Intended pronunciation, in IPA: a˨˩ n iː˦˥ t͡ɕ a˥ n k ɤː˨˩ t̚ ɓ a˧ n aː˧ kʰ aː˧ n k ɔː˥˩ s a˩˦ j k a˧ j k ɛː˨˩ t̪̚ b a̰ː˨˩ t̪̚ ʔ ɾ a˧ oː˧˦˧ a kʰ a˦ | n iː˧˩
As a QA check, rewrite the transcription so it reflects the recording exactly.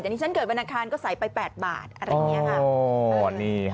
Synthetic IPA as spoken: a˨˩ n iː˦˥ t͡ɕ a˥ n k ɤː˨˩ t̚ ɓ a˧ n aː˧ kʰ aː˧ n k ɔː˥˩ s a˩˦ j p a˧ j p ɛː˨˩ t̪̚ b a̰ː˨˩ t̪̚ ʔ ɾ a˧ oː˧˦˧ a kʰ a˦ | n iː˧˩

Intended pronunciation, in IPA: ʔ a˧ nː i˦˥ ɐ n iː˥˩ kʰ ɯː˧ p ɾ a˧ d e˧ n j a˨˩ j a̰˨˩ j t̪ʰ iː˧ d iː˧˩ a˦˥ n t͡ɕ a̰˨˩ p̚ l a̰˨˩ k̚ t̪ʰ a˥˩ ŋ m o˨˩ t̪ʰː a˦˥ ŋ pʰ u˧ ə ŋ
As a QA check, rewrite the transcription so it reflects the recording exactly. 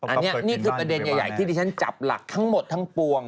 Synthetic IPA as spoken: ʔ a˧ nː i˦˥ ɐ n iː˥˩ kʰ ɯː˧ p ɾ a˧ d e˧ n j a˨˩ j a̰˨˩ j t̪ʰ iː˥˩ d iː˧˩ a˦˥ n t͡ɕ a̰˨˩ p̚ l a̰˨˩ k̚ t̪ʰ a˦˥ ŋ m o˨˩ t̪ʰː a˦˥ ŋ p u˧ ə ŋ

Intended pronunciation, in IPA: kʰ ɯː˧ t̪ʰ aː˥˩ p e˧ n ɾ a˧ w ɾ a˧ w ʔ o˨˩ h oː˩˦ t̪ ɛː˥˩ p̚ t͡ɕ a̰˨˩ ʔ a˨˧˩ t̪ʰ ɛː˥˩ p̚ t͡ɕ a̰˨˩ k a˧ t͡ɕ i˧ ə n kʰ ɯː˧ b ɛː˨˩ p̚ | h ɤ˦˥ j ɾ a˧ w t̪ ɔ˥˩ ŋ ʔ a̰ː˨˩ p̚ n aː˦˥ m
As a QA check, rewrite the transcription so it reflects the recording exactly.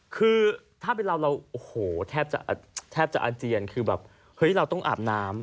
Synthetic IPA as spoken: kʰ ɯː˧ t̪ʰ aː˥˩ p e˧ n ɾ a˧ w ɾ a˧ w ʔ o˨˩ h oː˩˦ t̪ʰ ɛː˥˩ p̚ t͡ɕ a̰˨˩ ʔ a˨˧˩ t̪ʰ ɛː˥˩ p̚ t͡ɕ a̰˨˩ ʔ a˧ t͡ɕ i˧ ə n kʰ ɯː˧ b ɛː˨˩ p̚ | h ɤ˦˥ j ɾ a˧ w t̪ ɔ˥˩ ŋ ʔ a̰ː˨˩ p̚ n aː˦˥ m

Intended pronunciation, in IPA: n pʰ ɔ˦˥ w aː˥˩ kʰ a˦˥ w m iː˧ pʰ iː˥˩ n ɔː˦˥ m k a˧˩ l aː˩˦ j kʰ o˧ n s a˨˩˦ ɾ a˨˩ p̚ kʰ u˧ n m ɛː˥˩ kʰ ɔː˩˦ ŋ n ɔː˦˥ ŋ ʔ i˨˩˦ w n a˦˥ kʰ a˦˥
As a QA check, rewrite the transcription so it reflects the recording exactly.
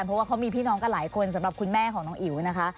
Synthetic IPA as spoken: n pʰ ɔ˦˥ w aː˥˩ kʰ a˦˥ w m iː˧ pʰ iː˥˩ n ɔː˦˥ ŋ k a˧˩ l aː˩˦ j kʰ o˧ n s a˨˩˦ ɾ a˨˩ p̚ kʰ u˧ n m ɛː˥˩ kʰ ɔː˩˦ ŋ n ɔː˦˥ ŋ ʔ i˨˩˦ w n a˦˥ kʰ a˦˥

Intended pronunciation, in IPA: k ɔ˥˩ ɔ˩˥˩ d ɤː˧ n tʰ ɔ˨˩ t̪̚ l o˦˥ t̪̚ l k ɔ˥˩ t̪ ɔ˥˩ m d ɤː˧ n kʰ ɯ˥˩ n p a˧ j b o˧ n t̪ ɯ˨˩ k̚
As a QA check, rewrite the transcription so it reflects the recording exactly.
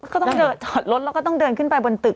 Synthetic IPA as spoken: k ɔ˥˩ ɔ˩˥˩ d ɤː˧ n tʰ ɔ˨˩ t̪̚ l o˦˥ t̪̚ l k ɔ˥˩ t̪ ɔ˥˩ ŋ d ɤː˧ n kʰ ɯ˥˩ n p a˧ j b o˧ n t̪ ɯ˨˩ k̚

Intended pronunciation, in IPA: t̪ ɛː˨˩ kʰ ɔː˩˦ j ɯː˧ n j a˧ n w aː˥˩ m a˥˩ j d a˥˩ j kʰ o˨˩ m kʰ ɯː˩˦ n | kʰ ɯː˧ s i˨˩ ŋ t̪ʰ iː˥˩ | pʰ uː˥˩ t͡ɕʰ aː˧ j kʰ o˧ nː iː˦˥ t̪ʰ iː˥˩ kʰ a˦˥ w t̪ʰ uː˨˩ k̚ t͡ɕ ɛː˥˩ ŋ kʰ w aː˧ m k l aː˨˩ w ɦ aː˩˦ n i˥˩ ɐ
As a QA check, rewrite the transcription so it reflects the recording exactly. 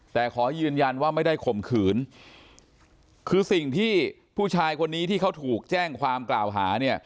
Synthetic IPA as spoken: t̪ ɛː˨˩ kʰ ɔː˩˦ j ɯː˧ n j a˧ n w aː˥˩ m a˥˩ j d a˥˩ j kʰ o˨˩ m kʰ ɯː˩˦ n | kʰ ɯː˧ s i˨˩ ŋ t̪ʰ iː˥˩ | pʰ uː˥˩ t͡ɕʰ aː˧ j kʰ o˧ nː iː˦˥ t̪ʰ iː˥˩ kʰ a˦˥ w t̪ʰ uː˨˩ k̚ t͡ɕ ɛː˥˩ ŋ kʰ w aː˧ m k l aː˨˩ w ɦ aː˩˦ n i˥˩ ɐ

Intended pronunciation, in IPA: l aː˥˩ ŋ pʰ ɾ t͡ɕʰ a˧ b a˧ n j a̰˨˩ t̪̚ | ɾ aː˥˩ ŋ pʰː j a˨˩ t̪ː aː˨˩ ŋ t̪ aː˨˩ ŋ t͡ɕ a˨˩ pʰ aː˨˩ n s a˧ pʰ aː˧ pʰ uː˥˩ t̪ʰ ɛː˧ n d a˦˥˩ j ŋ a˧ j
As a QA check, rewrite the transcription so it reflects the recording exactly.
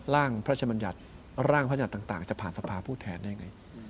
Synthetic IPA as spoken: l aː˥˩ ŋ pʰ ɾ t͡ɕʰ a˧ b a˧ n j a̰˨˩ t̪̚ | ɾ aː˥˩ ŋ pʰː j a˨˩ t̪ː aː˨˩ ŋ t̪ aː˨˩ ŋ t͡ɕ a˨˩ pʰ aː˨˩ n s a˧ pʰ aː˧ pʰ uː˥˩ t̪ʰ ɛː˧ n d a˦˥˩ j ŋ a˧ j

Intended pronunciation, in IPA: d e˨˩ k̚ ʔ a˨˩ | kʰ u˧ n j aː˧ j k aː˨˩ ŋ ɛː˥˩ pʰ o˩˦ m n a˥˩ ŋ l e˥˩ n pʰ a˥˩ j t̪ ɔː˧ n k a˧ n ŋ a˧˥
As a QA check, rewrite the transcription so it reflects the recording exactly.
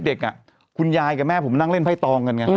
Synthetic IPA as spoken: d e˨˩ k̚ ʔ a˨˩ | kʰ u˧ n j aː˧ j k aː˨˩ m ɛː˥˩ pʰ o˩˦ m n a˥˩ ŋ l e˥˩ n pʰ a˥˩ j t̪ ɔː˧ ŋ k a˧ n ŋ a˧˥

